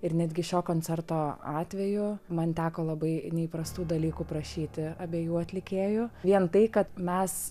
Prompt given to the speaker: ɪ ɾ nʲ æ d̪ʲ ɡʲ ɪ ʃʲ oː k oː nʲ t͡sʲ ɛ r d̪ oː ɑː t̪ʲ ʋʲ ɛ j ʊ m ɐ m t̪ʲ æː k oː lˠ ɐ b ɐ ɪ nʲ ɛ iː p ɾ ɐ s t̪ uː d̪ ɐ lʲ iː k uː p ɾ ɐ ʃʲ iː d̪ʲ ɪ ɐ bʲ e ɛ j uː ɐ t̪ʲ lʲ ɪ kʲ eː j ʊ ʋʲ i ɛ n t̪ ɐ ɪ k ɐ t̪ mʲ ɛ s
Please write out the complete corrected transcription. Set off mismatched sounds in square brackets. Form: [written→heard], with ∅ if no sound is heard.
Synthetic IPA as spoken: ɪ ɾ nʲ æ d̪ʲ ɡʲ ɪ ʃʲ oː k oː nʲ t͡sʲ ɛ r [d̪→t̪] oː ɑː t̪ʲ ʋʲ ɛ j ʊ m ɐ [m→n] t̪ʲ æː k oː lˠ ɐ b ɐ ɪ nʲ ɛ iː p ɾ ɐ s t̪ uː d̪ ɐ lʲ iː k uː p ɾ ɐ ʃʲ iː [d̪ʲ→t̪ʲ] ɪ ɐ bʲ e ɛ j uː ɐ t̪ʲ lʲ ɪ kʲ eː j ʊ ʋʲ i ɛ n t̪ ɐ ɪ k ɐ t̪ mʲ ɛ s